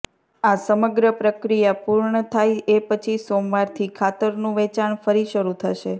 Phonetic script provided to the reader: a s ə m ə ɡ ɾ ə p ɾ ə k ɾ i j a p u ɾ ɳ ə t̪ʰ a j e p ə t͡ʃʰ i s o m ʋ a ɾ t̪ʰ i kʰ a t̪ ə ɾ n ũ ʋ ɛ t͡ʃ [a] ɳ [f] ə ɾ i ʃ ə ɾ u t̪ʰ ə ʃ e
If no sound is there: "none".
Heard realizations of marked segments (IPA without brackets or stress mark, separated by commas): a, f